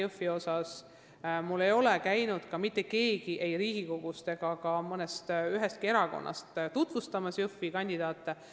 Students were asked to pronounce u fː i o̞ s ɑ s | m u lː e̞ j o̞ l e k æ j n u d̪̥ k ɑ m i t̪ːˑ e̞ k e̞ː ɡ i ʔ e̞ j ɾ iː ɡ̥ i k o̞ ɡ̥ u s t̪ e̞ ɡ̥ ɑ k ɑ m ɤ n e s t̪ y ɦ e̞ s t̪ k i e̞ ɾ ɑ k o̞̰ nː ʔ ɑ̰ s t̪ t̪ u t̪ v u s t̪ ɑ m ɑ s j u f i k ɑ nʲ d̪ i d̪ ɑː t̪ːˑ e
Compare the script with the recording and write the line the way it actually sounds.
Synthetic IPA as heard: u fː i o̞ s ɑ s | m u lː e̞ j o̞ l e k æ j n u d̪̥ k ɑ m i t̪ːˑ e̞ k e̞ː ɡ i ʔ e̞ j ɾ iː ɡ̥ i k o̞ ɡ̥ u s t̪ e̞ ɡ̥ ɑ k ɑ m ɤ n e s t̪ y ɦ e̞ s t̪ k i e̞ ɾ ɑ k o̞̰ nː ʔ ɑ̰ s t̪ t̪ u t̪ v u s t̪ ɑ m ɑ s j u f i k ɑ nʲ d̪ i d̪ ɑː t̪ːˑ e